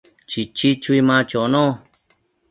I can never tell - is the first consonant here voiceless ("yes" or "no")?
yes